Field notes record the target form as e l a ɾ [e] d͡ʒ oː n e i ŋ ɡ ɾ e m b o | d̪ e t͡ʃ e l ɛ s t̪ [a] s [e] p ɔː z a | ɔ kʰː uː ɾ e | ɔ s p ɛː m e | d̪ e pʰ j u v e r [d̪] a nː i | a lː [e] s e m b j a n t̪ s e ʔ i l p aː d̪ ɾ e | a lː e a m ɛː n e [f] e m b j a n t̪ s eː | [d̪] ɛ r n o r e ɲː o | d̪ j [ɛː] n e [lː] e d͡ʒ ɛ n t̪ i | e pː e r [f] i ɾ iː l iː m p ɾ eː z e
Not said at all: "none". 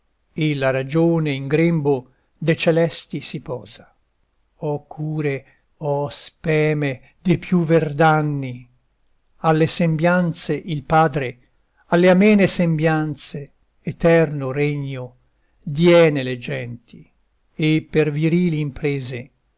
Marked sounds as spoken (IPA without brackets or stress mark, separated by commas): a, i, i, d̪, e, s, t̪, ɛː, l, v